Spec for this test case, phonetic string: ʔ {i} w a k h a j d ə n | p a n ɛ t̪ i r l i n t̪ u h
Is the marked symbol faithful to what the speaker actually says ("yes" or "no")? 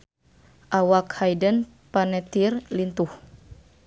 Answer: no